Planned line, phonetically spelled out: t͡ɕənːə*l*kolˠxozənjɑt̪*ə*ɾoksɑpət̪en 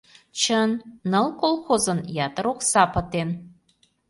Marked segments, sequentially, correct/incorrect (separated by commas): correct, correct